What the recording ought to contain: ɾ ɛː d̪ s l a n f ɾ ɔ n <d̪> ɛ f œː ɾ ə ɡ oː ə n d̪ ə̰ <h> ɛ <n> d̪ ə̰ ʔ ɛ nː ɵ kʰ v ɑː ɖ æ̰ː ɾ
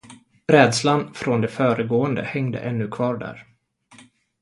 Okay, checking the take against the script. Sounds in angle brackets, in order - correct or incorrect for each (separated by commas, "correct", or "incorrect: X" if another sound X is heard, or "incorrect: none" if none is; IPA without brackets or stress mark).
correct, correct, incorrect: ŋ